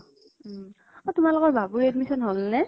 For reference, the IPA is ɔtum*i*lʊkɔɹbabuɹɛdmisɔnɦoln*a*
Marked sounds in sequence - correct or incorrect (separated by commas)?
incorrect, incorrect